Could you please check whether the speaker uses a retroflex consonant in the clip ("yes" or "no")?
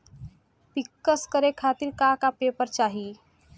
no